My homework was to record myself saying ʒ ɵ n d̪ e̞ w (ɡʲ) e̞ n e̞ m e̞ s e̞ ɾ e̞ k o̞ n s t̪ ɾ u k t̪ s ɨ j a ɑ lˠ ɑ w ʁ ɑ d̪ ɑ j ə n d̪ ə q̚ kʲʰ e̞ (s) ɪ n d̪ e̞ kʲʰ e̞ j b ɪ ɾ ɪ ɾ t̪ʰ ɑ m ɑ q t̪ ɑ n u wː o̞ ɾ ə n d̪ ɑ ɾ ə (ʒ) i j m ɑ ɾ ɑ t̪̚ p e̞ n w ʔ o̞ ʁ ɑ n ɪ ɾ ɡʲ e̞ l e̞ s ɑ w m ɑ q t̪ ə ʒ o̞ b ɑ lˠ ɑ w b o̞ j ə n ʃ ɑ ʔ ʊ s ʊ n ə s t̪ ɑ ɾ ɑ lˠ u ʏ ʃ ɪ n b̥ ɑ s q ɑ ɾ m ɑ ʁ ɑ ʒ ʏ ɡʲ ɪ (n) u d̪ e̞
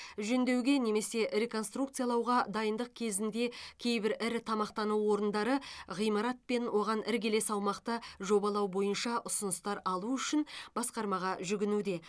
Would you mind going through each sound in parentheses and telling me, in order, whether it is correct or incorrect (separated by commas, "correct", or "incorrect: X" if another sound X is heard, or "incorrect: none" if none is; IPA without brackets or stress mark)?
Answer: correct, incorrect: z, incorrect: ʁ, correct